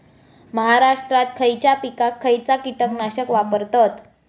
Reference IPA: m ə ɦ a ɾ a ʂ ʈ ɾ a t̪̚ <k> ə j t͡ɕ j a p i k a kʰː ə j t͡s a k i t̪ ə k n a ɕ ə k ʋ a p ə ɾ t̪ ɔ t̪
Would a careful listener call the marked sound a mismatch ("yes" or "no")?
yes